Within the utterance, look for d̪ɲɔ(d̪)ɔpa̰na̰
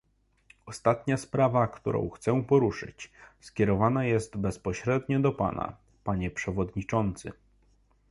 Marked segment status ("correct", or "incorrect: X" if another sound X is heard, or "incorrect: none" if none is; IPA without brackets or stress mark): correct